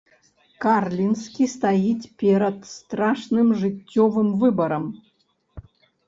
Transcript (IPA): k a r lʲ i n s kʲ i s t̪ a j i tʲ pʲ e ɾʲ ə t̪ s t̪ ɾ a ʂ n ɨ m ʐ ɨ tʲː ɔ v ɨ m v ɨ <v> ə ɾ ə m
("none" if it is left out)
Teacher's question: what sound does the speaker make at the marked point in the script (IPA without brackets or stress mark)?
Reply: b